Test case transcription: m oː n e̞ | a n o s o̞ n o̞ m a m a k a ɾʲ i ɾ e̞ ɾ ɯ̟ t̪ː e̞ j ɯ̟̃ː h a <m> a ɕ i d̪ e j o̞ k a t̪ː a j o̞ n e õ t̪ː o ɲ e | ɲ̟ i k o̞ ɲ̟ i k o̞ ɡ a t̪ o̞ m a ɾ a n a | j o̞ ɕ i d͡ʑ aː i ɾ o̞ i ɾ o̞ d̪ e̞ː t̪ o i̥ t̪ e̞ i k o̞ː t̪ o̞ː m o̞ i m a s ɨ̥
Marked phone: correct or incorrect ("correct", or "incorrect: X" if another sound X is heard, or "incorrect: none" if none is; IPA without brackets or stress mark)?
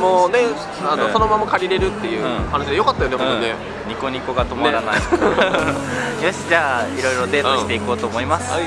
incorrect: n